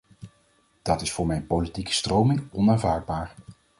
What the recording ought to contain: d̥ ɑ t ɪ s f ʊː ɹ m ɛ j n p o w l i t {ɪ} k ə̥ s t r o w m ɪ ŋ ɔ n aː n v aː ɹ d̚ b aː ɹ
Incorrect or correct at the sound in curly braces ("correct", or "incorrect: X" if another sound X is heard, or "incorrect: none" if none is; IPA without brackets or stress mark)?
incorrect: i